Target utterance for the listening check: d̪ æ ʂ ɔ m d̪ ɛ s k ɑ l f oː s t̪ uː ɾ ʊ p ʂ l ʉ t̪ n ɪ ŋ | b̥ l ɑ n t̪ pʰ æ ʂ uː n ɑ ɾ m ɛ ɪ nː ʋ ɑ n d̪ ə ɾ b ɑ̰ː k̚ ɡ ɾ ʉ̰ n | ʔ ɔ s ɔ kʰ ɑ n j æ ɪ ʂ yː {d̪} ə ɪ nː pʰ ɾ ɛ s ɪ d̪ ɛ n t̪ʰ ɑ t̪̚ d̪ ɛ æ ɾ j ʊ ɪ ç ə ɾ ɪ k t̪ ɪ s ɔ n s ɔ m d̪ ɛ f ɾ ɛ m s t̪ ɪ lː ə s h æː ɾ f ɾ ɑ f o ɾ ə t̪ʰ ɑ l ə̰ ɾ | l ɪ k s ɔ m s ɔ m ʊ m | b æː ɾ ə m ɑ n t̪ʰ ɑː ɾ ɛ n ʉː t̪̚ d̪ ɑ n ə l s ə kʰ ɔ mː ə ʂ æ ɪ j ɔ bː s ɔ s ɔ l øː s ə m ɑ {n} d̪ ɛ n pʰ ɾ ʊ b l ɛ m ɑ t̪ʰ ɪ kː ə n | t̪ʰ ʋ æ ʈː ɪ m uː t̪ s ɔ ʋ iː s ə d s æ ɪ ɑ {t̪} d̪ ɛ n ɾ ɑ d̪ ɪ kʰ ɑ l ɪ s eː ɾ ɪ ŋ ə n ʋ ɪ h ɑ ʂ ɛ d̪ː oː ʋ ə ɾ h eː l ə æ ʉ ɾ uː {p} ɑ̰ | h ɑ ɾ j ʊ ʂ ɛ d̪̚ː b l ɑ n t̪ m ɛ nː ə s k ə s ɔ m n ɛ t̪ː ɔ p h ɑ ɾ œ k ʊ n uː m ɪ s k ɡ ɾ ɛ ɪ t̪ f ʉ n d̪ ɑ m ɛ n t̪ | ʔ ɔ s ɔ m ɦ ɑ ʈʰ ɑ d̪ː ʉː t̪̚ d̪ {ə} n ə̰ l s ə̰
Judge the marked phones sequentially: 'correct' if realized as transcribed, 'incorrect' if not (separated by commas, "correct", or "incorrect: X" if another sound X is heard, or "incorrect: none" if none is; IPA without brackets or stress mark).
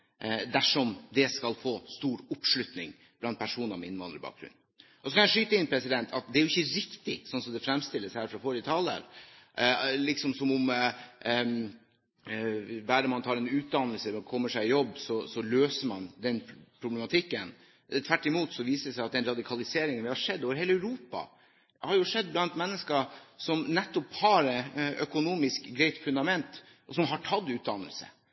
incorrect: t̪, correct, correct, correct, incorrect: ɑ